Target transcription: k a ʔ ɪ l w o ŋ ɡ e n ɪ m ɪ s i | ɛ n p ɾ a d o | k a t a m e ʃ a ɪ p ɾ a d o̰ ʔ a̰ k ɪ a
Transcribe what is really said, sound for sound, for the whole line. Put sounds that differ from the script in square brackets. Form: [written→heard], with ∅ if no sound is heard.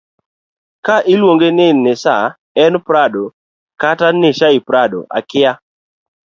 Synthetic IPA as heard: k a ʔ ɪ l w o ŋ ɡ e n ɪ [m→n] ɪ s [i→a] | ɛ n p ɾ a d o | k a t a [m→n] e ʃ a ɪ p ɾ a d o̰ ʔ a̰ k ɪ a